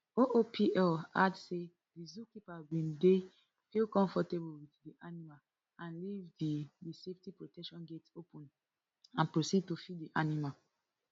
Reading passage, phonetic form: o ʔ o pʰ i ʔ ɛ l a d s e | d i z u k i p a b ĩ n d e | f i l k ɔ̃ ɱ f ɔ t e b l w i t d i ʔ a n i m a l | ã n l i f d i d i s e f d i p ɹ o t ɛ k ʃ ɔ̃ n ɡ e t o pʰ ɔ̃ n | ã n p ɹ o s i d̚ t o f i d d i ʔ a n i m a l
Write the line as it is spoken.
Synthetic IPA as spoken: o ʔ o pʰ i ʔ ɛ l a d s e | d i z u k i p a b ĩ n d e | f i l k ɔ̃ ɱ f ɔ t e b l w i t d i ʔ a n i m a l | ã n l i v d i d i s e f t i p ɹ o t ɛ k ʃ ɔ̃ n ɡ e t o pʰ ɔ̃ n | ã n p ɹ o s i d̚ t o f i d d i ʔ a n i m a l